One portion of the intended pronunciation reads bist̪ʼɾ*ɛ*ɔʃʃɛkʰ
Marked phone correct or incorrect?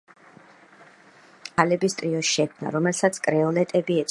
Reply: incorrect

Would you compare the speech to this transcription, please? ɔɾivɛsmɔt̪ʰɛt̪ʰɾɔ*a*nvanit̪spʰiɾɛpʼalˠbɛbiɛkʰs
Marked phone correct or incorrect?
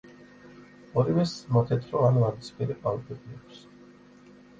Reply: correct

